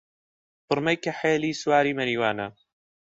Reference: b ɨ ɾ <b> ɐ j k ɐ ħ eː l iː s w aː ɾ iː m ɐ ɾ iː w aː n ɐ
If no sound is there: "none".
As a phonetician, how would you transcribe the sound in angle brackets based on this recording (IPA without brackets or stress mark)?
m